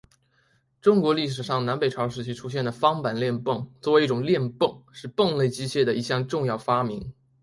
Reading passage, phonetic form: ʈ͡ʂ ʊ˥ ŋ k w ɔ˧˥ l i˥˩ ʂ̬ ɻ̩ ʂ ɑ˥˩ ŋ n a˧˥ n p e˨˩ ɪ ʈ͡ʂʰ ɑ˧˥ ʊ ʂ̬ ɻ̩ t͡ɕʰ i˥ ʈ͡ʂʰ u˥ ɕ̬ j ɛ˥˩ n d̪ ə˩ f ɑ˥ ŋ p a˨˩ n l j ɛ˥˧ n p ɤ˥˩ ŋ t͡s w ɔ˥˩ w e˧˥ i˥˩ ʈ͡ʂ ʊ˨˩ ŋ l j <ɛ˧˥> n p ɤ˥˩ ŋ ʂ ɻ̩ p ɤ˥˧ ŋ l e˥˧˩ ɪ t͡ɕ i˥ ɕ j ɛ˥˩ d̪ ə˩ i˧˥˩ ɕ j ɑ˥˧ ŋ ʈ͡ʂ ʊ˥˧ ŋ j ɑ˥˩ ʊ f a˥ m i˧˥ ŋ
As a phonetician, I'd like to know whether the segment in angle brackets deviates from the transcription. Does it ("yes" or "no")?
yes